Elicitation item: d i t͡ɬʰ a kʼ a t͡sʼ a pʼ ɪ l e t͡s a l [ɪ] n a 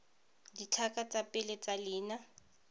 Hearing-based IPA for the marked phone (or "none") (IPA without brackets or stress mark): ɪː